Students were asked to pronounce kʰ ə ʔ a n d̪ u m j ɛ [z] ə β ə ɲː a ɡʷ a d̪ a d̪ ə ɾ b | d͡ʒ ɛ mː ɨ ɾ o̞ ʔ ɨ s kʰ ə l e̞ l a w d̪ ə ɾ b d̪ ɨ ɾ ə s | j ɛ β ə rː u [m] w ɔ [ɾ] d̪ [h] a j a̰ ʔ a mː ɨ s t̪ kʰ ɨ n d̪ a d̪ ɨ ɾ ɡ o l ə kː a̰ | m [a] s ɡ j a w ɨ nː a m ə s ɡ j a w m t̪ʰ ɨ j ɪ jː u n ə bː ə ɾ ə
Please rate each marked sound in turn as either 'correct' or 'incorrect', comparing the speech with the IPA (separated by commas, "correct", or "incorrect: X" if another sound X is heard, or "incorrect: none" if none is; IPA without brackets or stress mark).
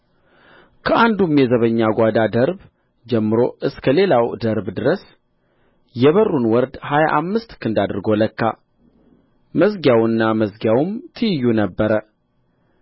correct, incorrect: n, correct, correct, incorrect: ə